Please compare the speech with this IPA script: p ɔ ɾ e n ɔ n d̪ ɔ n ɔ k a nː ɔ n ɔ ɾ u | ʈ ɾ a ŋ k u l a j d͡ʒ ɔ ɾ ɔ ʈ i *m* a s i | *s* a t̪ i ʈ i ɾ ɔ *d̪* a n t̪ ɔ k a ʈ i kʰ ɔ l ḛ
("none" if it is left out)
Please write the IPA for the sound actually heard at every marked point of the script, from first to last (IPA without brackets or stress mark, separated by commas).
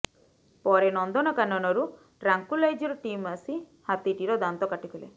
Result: m, h, d̪